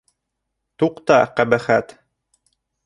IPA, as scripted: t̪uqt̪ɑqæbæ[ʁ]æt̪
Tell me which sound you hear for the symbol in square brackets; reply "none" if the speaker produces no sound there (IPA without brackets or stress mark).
χ